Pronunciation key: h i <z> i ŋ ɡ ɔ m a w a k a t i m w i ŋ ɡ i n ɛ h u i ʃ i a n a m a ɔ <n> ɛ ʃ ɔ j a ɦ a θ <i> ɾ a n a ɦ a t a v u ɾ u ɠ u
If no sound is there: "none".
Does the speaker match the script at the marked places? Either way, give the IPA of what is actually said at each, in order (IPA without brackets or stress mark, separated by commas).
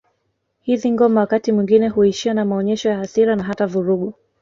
ð, ɲ, i